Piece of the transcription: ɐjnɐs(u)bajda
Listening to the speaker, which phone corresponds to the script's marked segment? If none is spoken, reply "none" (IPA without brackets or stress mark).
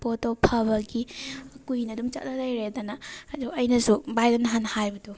u